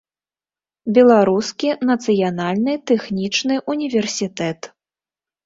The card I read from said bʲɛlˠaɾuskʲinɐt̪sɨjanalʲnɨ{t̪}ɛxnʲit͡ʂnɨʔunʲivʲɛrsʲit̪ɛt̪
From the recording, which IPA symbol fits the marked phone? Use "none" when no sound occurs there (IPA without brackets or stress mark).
t̪